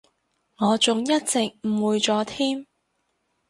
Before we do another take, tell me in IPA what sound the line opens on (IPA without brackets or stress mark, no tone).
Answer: ŋ